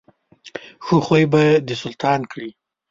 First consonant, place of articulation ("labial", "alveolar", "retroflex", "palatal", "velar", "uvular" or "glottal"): velar